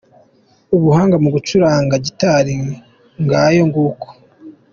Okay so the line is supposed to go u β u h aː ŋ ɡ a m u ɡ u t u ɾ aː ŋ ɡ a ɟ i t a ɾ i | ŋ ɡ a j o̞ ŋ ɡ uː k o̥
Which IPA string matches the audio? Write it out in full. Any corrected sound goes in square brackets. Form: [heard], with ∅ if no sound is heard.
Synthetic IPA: u β u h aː ŋ ɡ a m u ɡ u [t͡ʃ] u ɾ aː ŋ ɡ a ɟ i t a ɾ i | ŋ ɡ a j o̞ ŋ ɡ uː k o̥